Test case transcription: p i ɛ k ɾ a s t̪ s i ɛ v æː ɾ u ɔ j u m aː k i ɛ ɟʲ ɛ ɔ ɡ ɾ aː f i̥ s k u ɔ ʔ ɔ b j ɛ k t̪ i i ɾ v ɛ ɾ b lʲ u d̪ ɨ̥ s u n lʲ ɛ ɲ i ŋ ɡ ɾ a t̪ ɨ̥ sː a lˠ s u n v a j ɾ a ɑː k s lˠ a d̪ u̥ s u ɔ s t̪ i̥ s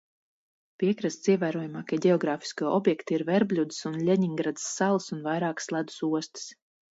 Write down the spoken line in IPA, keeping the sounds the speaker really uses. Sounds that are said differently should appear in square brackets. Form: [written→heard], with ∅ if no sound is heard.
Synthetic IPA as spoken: p i ɛ k ɾ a s t̪ s i ɛ v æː ɾ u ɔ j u m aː k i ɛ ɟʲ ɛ ɔ ɡ ɾ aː f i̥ s k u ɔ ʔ ɔ b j ɛ k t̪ i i ɾ v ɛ ɾ b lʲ u d̪ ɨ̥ s u n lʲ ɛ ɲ i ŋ ɡ ɾ a [t̪→d̪] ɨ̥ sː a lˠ s u n v a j ɾ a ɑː k s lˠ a d̪ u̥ s u ɔ s t̪ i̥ s